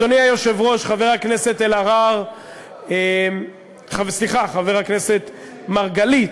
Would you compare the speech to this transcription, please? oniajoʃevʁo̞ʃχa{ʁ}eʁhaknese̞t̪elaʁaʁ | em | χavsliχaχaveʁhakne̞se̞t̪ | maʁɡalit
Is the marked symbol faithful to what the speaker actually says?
no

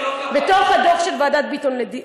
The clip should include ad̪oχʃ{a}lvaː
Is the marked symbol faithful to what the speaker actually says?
no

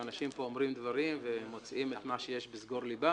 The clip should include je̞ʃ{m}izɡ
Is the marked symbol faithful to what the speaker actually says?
no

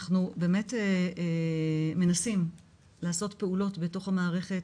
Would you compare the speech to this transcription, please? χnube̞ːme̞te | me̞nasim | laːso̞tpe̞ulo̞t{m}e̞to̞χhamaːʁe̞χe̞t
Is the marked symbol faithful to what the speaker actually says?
no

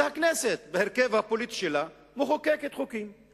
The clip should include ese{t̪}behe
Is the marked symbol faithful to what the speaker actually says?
yes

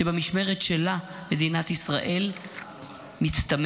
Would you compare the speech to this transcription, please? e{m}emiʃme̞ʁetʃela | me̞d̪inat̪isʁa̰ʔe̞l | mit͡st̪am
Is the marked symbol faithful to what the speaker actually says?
no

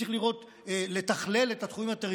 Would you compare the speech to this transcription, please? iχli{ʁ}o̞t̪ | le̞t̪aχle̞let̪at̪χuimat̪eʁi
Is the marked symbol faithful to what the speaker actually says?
yes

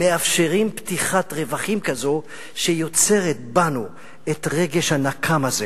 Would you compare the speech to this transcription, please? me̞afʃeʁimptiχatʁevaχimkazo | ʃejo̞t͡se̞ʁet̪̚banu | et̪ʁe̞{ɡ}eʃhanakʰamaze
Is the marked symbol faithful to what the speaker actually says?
yes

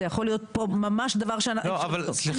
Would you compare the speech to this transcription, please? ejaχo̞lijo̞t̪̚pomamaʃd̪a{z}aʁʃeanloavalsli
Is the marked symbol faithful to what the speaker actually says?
no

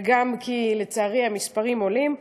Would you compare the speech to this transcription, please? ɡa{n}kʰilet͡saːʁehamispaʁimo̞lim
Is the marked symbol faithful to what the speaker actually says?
no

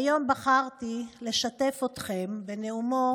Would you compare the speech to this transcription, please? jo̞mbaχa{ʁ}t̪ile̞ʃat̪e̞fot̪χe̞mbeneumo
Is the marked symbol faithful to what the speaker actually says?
yes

